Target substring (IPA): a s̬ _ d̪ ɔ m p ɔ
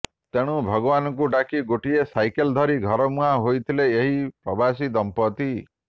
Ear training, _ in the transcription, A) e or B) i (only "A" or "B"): B